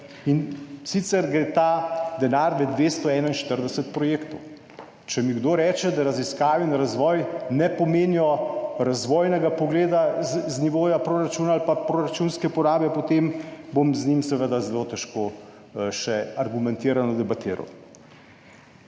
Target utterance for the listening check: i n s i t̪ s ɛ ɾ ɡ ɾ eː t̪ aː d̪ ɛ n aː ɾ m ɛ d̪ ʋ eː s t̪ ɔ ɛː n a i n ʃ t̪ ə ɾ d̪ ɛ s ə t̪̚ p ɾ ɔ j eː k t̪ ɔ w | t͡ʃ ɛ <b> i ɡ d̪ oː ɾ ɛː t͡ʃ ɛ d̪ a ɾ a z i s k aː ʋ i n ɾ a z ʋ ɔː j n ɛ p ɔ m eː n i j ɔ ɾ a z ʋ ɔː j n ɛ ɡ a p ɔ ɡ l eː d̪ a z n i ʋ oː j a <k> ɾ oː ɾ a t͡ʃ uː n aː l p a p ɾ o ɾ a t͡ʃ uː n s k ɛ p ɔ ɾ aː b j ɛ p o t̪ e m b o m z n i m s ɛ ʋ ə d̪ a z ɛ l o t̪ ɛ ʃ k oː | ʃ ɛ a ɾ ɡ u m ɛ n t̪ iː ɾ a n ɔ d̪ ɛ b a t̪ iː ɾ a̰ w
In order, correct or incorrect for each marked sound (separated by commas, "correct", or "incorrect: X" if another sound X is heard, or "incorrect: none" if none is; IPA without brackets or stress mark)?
incorrect: m, incorrect: p